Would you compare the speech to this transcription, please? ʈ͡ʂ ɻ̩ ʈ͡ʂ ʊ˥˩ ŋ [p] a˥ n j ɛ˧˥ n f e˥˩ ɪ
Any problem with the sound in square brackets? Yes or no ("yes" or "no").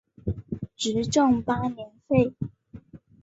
no